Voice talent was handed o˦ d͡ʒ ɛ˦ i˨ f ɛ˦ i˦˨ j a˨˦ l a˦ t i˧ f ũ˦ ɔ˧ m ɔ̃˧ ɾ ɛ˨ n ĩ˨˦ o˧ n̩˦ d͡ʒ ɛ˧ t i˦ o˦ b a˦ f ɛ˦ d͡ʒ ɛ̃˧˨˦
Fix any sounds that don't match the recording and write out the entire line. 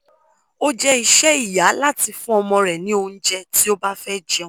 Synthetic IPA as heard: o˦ d͡ʒ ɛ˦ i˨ ʃ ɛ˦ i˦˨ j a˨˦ l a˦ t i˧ f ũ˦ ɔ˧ m ɔ̃˧ ɾ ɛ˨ n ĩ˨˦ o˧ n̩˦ d͡ʒ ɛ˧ t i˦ o˦ b a˦ f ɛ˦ d͡ʒ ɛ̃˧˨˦